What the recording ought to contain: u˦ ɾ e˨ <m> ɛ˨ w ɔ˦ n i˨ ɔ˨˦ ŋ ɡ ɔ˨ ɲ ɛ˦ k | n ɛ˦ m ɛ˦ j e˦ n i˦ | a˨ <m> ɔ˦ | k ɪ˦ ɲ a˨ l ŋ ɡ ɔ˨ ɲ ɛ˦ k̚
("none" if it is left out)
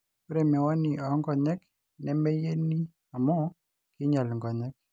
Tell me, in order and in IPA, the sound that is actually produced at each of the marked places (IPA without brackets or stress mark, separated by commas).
m, m